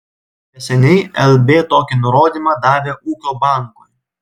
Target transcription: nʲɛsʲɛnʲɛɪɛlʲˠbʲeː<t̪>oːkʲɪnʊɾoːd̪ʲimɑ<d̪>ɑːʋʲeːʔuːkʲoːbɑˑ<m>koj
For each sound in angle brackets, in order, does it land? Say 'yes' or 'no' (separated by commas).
yes, yes, no